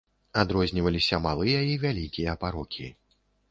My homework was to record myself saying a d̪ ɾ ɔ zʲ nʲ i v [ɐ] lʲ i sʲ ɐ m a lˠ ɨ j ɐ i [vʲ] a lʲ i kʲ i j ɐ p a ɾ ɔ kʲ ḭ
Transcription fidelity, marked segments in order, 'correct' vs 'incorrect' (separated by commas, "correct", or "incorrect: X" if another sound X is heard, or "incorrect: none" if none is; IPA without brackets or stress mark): correct, correct